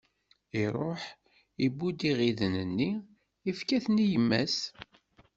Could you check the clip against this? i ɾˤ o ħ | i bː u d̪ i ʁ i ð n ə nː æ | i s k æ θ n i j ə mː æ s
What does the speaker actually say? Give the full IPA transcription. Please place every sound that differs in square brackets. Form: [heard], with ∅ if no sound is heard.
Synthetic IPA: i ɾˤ o ħ | i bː u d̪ i ʁ i ð n ə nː [i] | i [f] k æ θ n i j ə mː æ s